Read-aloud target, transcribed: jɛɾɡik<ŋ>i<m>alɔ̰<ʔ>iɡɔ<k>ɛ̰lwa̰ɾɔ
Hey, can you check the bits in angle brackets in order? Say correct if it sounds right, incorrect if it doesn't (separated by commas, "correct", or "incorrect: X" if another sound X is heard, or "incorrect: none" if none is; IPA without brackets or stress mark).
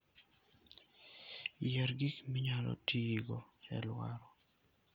incorrect: m, incorrect: ɲ, incorrect: t, incorrect: none